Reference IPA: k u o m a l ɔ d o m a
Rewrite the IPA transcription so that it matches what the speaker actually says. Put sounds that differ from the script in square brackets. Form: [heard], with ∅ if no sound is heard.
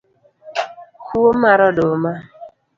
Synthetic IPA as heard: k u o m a [ɾ] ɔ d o m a

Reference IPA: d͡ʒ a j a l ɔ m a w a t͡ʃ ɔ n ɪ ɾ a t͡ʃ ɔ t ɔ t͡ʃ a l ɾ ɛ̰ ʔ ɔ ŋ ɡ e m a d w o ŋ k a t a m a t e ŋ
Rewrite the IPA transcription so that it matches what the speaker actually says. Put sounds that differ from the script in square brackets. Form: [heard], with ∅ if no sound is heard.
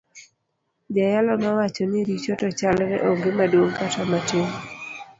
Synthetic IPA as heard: d͡ʒ a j a l ɔ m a w a t͡ʃ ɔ n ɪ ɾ [i] t͡ʃ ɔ t ɔ t͡ʃ a l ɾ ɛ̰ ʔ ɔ ŋ ɡ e m a d w o ŋ k a t a m a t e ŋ

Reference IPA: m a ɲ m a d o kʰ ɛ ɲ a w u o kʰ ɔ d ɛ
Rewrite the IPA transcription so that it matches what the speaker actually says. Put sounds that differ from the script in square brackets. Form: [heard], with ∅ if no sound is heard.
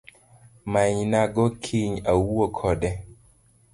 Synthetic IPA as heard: m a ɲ [n] a [ɡ] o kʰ [i] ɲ a w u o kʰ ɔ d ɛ

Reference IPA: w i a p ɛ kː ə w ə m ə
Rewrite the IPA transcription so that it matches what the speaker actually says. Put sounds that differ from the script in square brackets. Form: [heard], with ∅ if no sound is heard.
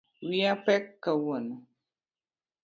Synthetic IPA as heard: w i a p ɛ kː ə w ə [n] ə

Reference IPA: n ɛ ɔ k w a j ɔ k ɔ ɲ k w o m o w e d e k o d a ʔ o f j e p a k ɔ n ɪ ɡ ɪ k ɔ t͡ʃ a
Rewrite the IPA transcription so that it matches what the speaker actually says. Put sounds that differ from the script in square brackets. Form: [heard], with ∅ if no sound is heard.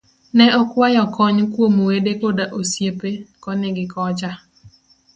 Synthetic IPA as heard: n ɛ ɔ k w a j ɔ k ɔ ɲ k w o m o w e d e k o d a ʔ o [s] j e p [e] k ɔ n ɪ ɡ ɪ k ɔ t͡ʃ a

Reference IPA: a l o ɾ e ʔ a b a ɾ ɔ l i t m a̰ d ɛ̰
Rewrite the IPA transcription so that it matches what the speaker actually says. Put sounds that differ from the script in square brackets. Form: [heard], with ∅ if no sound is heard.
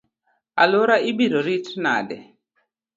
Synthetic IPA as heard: a l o ɾ [a] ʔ [i] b [i] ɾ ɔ [ɾ] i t [n] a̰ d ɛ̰

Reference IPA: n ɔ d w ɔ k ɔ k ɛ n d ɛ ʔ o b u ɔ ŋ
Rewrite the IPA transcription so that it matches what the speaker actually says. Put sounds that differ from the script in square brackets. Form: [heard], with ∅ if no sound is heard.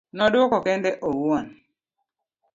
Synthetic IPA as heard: n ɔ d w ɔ k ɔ k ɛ n d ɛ ʔ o [w] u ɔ [n]

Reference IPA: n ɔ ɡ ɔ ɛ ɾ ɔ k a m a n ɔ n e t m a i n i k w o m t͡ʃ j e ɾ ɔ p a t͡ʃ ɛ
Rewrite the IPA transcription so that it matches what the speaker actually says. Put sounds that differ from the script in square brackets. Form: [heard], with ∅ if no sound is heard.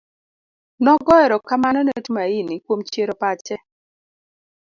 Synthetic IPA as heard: n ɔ ɡ ɔ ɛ ɾ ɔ k a m a n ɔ n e t m a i n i k w o m t͡ʃ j e ɾ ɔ p a t͡ʃ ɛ

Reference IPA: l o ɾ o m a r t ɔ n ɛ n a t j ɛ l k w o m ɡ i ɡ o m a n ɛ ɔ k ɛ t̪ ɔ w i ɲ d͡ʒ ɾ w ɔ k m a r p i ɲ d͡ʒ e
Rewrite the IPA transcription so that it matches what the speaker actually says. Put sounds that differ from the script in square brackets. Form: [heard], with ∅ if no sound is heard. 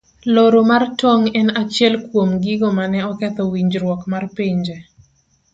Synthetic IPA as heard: l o ɾ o m a r t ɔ [ŋ] ɛ n a [t͡ʃ] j ɛ l k w o m ɡ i ɡ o m a n ɛ ɔ k ɛ t̪ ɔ w i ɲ d͡ʒ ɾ w ɔ k m a r p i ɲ d͡ʒ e

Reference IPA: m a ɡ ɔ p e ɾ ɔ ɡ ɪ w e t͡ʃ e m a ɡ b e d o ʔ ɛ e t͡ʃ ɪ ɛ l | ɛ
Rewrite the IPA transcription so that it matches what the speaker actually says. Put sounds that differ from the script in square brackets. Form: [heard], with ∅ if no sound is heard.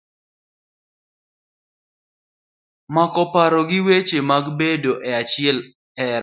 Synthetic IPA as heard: m a [k] ɔ p [a] ɾ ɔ ɡ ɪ w e t͡ʃ e m a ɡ b e d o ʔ ɛ [a] t͡ʃ ɪ ɛ l | ɛ

